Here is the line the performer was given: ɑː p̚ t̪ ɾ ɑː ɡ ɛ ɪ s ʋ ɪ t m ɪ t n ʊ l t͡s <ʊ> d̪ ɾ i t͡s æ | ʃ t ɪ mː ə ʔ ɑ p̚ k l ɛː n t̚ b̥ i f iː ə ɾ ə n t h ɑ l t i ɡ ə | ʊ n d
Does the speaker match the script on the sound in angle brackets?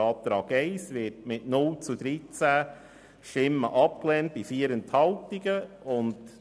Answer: no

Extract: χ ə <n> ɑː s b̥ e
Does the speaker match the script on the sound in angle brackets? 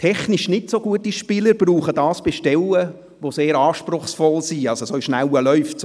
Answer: no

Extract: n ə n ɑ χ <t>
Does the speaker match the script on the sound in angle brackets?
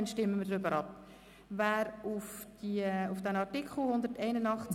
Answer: no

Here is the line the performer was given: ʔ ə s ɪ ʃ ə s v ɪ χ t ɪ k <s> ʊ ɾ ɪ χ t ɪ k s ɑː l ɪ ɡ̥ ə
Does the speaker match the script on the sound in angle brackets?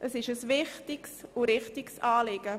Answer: yes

